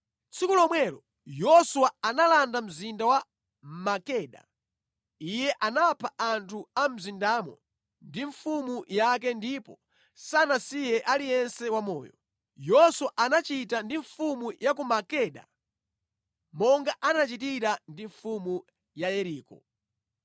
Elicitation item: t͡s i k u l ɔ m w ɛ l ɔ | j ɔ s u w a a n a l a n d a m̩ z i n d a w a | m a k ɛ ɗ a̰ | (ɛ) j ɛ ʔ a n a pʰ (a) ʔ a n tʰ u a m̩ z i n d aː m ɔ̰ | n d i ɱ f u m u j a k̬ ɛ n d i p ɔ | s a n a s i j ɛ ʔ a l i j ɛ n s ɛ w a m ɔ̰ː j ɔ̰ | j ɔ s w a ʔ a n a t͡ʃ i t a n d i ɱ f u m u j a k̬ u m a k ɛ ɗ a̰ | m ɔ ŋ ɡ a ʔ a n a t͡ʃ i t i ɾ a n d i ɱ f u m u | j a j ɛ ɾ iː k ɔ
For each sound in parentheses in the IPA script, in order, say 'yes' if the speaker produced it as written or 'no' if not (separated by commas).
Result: no, yes